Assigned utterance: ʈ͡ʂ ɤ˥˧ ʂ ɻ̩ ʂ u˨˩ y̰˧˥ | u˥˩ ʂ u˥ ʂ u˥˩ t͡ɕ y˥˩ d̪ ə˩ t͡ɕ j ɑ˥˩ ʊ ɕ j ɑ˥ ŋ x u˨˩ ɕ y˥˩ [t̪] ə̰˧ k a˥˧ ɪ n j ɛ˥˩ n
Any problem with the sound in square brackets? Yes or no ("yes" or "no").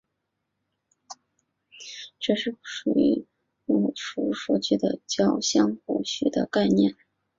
yes